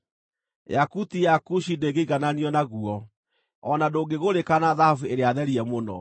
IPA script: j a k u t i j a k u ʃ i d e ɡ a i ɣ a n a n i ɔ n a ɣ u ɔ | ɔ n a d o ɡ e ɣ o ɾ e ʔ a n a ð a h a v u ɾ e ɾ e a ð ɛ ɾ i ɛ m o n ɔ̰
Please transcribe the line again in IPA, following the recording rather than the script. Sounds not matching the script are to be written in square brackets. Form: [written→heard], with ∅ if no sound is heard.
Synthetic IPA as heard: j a k u t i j a k u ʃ i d e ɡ [a→e] i ɣ a n a n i ɔ n a ɣ u ɔ | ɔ n a d o ɡ e ɣ o ɾ e [ʔ→k] a n a ð a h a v u [ɾ→∅] e ɾ e a ð ɛ ɾ i ɛ m o n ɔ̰